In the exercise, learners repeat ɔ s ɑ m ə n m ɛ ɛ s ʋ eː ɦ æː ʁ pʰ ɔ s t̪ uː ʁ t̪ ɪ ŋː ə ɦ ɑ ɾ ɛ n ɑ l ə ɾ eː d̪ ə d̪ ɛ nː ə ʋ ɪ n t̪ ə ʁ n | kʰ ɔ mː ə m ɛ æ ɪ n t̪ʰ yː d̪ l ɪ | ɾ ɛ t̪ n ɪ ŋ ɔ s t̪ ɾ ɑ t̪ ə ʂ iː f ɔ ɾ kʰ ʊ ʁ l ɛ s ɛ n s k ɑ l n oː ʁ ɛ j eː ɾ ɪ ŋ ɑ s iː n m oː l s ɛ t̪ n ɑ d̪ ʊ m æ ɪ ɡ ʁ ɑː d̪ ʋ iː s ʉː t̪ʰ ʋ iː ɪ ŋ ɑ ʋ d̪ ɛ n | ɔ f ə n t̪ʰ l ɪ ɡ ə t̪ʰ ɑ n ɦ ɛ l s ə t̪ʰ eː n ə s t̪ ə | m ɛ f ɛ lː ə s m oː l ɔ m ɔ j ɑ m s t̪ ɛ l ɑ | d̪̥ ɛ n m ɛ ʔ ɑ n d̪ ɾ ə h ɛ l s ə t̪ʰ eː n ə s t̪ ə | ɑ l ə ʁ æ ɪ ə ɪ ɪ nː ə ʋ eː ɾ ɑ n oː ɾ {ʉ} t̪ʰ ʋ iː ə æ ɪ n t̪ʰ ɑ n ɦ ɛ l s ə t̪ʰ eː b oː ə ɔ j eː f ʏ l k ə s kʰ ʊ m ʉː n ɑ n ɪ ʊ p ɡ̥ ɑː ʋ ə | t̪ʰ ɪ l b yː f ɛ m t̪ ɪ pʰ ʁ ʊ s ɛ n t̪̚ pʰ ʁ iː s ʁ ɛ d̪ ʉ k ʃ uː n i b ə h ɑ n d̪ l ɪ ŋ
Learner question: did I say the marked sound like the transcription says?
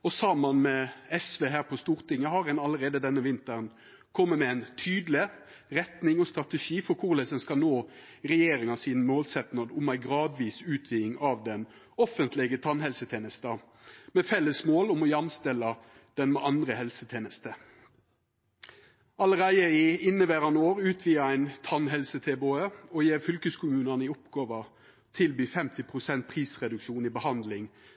no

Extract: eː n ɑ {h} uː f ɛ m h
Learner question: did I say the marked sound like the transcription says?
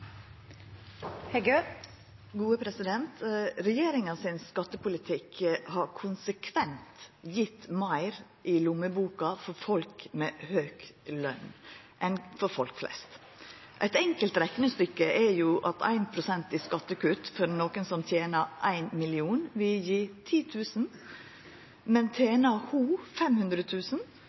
yes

